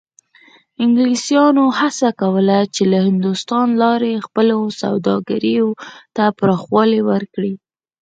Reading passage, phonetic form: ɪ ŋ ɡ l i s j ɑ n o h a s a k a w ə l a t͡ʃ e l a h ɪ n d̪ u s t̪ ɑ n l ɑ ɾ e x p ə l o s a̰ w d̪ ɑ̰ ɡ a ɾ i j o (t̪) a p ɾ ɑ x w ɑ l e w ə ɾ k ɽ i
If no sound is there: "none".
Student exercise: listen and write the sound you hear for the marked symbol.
t̪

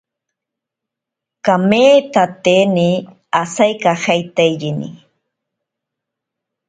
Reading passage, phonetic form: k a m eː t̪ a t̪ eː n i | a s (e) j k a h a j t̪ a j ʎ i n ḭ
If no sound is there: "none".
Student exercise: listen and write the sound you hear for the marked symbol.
a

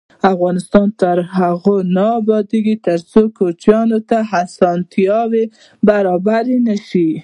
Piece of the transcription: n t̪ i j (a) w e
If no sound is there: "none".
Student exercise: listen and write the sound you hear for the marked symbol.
ɑ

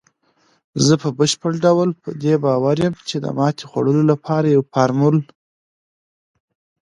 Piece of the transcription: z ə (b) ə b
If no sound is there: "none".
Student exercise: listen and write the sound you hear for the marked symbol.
p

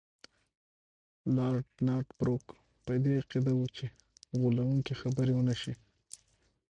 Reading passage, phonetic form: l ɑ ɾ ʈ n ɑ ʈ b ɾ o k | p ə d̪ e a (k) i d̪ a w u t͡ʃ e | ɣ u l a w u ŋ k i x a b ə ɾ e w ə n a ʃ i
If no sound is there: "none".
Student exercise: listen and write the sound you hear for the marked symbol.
q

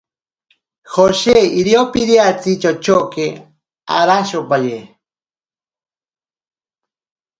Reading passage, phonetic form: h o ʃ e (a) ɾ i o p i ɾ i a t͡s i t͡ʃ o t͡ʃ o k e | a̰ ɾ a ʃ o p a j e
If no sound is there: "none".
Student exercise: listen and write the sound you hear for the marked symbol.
i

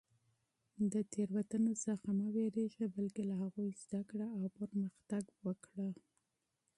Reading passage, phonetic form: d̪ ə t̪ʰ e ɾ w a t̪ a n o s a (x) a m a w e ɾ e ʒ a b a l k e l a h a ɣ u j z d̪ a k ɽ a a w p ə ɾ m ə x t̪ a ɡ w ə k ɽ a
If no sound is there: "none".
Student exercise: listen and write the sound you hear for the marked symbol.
x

